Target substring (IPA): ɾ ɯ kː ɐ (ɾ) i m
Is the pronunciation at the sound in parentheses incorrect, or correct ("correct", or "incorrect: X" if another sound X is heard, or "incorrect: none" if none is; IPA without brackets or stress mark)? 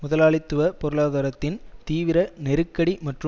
incorrect: ɽ